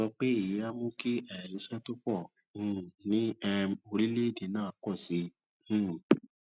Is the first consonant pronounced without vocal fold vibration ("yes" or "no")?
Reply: yes